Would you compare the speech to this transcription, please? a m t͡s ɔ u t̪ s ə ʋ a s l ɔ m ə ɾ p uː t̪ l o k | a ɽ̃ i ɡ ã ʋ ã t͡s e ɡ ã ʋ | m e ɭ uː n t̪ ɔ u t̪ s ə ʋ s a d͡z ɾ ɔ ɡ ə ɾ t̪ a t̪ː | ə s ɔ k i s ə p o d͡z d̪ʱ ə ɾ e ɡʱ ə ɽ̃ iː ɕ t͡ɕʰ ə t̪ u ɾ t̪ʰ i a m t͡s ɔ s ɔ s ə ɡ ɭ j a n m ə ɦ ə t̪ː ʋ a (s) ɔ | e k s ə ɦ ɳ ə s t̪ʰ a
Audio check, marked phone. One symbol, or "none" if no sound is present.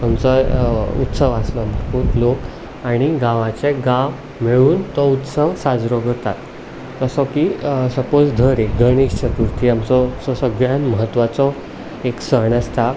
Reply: t͡s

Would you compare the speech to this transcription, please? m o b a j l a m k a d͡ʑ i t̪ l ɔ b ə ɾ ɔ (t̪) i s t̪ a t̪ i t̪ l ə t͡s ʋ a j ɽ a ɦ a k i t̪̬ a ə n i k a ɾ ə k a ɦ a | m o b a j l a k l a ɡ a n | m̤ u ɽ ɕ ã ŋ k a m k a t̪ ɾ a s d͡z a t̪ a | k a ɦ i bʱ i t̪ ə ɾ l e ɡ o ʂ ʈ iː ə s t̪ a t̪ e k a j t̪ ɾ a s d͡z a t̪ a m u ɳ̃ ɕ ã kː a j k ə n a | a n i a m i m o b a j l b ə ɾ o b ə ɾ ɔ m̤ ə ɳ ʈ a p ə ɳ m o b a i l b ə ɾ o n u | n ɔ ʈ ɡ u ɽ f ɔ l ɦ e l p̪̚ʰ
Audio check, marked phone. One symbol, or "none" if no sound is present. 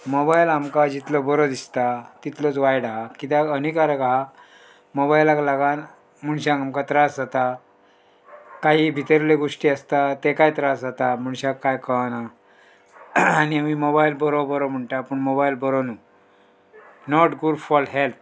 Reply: d̪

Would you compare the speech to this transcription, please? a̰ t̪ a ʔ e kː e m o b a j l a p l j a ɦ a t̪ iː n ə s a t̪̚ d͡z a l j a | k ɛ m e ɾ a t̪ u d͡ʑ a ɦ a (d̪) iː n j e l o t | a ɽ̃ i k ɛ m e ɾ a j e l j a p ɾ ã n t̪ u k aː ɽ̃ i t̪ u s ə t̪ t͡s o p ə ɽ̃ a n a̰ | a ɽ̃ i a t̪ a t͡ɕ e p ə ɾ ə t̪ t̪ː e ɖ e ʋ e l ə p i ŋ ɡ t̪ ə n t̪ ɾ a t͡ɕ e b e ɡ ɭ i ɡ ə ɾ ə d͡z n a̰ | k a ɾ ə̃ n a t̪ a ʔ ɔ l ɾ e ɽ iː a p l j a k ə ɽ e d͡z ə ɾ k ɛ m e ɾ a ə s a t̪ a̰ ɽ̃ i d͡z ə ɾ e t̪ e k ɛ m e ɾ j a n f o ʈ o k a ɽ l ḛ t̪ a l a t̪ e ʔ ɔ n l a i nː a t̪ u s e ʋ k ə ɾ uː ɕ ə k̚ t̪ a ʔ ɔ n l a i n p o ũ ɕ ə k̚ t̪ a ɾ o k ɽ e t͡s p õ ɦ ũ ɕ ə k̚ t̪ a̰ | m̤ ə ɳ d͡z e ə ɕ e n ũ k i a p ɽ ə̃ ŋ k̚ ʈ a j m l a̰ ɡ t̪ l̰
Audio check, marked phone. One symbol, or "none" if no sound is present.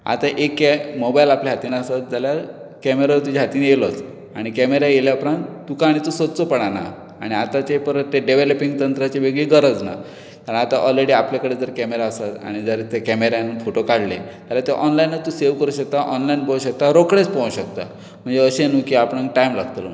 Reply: t̪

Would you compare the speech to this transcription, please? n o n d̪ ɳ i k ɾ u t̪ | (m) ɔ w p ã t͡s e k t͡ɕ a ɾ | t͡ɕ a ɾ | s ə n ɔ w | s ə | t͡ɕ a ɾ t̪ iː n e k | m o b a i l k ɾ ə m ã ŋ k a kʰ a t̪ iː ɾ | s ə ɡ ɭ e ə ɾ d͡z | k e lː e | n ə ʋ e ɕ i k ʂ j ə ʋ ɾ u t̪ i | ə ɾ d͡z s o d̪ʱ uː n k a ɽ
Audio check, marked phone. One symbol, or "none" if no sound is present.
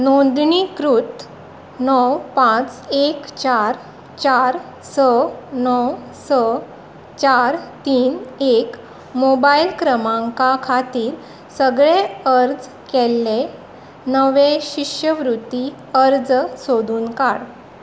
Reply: n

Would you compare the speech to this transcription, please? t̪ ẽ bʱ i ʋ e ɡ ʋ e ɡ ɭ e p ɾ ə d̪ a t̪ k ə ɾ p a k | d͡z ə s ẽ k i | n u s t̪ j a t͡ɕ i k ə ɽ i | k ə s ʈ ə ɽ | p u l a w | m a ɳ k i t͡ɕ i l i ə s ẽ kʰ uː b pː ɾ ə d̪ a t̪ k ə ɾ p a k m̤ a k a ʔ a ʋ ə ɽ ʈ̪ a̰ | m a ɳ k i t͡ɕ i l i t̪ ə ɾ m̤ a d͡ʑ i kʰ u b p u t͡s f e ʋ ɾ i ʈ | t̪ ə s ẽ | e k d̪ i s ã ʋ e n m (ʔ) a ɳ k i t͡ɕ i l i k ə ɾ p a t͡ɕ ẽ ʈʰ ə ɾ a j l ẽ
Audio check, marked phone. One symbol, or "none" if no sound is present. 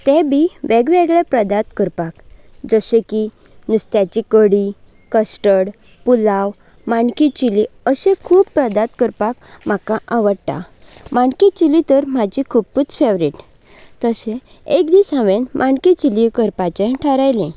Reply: ʔ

